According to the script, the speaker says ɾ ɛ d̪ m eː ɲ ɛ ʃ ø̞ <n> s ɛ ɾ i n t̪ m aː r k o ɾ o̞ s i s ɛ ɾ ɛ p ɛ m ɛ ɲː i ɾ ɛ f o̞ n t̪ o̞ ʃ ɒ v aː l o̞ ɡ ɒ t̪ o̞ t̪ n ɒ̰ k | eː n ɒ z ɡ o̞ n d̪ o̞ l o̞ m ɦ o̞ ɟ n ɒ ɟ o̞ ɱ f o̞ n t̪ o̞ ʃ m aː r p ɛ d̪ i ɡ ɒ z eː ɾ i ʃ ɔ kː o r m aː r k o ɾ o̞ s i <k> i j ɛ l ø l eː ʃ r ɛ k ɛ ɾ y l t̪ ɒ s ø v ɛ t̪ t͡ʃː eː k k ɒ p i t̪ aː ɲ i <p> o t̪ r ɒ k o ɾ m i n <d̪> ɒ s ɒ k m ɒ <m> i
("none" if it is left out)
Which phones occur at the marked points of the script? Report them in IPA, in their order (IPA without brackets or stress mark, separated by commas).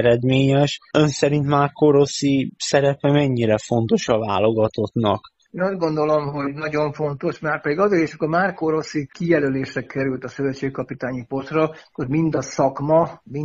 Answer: n, k, p, d̪, m